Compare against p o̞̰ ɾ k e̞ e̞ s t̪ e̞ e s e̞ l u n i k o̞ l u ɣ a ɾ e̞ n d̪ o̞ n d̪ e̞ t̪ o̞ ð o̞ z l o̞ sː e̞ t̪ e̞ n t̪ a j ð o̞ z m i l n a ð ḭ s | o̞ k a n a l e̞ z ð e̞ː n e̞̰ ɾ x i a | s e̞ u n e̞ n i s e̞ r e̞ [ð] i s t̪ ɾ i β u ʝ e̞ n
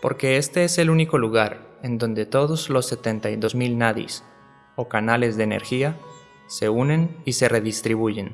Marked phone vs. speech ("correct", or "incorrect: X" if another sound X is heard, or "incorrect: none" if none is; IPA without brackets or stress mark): correct